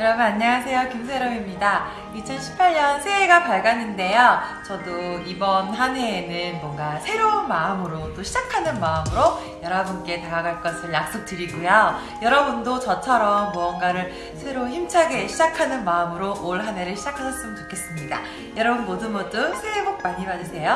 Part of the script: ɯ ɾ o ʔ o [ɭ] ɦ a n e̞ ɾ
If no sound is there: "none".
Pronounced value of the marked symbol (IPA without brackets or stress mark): ɭ